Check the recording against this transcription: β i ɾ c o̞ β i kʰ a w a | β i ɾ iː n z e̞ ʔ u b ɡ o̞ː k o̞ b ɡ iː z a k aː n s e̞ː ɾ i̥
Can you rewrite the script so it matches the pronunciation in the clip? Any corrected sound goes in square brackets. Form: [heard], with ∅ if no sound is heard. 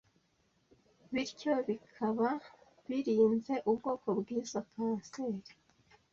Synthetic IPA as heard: β i ɾ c o̞ β i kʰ a [β] a | β i ɾ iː n z e̞ ʔ u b ɡ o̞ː k o̞ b ɡ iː z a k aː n s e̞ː ɾ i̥